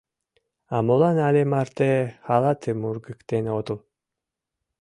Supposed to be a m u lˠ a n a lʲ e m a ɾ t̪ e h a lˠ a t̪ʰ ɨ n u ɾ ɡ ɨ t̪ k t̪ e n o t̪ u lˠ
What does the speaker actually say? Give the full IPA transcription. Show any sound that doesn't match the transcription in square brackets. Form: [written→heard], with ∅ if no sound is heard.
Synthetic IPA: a m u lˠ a n a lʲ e m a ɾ t̪ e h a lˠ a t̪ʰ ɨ [n→m] u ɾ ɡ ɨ [t̪→∅] k t̪ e n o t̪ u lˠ